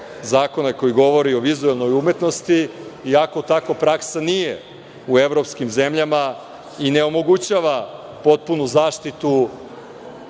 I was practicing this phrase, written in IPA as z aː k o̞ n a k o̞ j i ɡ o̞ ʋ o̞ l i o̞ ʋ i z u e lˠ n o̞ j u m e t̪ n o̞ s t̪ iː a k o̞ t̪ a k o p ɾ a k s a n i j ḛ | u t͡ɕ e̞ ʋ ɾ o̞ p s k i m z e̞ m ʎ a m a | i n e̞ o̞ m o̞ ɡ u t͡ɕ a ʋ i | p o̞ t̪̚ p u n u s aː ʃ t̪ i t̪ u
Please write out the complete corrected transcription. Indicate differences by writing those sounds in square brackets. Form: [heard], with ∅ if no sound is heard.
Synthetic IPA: z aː k o̞ n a k o̞ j i ɡ o̞ ʋ o̞ [ɾ] i o̞ ʋ i z u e lˠ n o̞ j u m e t̪ n o̞ s t̪ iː a k o̞ t̪ a k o p ɾ a k s a n i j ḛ | u [∅] e̞ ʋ ɾ o̞ p s k i m z e̞ m ʎ a m a | i n e̞ o̞ m o̞ ɡ u t͡ɕ a ʋ [a] | p o̞ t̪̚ p u n u [z] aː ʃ t̪ i t̪ u

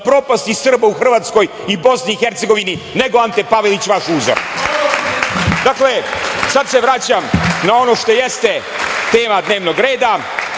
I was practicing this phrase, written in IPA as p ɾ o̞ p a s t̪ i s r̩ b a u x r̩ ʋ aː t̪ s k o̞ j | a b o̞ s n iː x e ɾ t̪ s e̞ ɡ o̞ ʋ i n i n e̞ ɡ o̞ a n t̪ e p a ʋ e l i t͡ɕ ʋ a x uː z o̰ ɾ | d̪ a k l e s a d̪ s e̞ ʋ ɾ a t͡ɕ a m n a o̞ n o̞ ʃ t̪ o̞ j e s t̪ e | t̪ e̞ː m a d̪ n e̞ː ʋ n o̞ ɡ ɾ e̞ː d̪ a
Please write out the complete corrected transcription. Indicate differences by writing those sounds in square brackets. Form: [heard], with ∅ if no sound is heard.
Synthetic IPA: p ɾ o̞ p a s t̪ i s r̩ b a u x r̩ ʋ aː t̪ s k o̞ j | [i] b o̞ s n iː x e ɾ t̪ s e̞ ɡ o̞ ʋ i n i n e̞ ɡ o̞ a n t̪ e p a ʋ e l i t͡ɕ ʋ a [ʃ] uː z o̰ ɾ | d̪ a k l e s a d̪ s e̞ ʋ ɾ a t͡ɕ a m n a o̞ n o̞ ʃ t̪ o̞ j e s t̪ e | t̪ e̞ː m a d̪ n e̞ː ʋ n o̞ ɡ ɾ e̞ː d̪ a

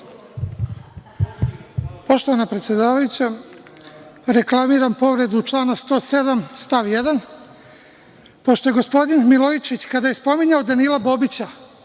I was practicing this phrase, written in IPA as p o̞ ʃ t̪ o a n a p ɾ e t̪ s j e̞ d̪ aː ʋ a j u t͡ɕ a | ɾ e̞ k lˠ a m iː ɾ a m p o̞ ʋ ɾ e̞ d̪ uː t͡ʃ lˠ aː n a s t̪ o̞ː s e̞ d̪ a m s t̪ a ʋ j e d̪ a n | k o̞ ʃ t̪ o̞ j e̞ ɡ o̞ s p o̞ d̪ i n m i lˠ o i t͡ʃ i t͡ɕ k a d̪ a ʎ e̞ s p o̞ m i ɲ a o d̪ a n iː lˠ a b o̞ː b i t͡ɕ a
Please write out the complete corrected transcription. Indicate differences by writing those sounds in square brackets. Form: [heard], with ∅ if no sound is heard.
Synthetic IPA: p o̞ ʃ t̪ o a n a p ɾ e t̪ s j e̞ d̪ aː ʋ a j u t͡ɕ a | ɾ e̞ k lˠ a m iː ɾ a m p o̞ ʋ ɾ e̞ d̪ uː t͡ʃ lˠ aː n a s t̪ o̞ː s e̞ d̪ a m s t̪ a ʋ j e d̪ a n | [p] o̞ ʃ t̪ o̞ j e̞ ɡ o̞ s p o̞ d̪ i n m i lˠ o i t͡ʃ i t͡ɕ k a d̪ a [j] e̞ s p o̞ m i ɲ a o d̪ a n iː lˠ a b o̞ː b i t͡ɕ a

